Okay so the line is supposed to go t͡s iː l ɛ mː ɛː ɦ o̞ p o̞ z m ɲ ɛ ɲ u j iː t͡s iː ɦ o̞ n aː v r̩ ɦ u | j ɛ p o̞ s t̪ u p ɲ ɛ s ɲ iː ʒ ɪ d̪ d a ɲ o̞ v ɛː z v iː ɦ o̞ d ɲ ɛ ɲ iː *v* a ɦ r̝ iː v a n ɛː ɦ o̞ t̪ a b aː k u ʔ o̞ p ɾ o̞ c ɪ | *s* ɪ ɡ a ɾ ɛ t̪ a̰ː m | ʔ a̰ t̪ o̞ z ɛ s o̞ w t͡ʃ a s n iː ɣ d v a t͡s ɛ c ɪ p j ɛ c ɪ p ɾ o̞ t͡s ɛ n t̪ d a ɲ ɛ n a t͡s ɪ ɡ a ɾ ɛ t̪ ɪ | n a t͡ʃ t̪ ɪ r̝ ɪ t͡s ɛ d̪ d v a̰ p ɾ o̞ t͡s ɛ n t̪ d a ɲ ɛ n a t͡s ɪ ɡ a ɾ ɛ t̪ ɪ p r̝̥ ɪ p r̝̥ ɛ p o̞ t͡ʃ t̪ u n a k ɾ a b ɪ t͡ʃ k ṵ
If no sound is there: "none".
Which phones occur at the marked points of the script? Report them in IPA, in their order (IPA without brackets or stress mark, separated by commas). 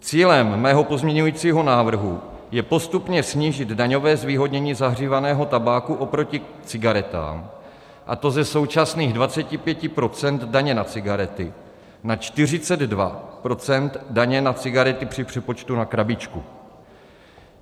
z, t͡s